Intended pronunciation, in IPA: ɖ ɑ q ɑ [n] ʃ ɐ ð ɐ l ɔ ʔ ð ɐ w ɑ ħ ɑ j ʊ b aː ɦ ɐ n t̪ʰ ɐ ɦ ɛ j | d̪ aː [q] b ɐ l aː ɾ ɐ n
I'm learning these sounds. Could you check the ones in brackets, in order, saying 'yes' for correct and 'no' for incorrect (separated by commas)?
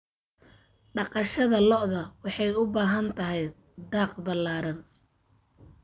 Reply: no, yes